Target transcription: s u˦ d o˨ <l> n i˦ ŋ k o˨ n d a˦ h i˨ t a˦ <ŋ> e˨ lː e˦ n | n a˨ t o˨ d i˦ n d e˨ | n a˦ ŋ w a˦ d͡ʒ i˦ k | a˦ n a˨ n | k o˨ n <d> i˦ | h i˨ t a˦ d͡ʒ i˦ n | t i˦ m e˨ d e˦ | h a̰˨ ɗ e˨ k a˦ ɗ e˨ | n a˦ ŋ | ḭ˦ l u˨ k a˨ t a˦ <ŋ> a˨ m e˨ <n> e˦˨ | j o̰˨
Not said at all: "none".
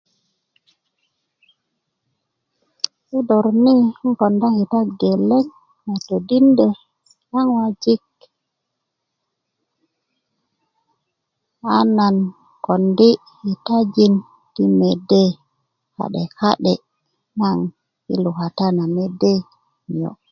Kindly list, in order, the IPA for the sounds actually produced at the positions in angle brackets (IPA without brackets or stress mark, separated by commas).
ɾ, ɡ, d, n, d